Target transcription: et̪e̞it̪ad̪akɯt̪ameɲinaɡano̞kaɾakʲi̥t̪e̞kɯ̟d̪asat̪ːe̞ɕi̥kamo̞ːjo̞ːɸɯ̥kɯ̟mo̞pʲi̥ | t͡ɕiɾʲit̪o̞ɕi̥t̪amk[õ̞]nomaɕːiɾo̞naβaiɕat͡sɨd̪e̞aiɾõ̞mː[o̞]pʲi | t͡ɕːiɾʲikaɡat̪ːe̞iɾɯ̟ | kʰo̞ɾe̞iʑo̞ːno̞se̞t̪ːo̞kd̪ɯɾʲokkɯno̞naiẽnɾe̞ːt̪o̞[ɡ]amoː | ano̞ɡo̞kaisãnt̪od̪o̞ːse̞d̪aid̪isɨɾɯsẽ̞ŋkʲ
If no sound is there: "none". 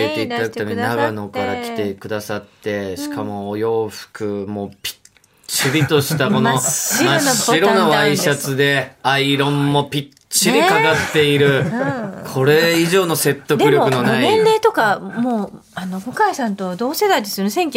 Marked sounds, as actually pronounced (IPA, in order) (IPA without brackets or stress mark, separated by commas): o̞, o̞, k